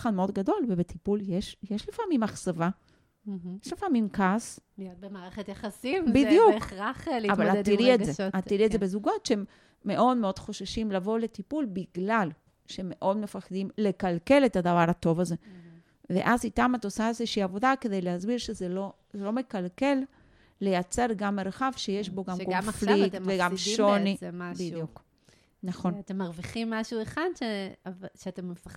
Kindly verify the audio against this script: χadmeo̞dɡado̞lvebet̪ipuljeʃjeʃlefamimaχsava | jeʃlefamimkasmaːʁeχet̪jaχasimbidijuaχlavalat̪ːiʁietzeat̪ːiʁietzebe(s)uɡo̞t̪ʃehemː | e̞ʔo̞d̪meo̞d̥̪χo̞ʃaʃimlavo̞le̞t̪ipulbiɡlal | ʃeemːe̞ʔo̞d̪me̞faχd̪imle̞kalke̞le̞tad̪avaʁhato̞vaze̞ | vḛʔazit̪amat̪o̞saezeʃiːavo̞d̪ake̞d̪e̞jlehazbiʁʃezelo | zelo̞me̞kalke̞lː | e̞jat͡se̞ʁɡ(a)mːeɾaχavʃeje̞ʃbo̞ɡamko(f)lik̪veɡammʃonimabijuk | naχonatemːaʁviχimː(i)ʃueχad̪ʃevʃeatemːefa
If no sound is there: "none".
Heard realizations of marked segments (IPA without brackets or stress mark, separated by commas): z, a, f, a